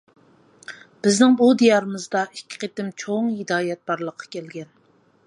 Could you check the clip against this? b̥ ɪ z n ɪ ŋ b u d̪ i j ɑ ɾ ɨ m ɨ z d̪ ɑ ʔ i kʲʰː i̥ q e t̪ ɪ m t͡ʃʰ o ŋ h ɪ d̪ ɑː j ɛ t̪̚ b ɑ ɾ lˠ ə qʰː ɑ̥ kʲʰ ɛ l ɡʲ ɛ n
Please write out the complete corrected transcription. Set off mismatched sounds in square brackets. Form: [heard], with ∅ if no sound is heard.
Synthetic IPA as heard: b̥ ɪ z n ɪ ŋ b u d̪ i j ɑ ɾ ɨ m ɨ z d̪ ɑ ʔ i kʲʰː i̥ q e t̪ ɪ m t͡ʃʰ o ŋ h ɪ d̪ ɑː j ɛ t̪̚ b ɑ ɾ lˠ ə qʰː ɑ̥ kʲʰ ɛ l ɡʲ ɛ n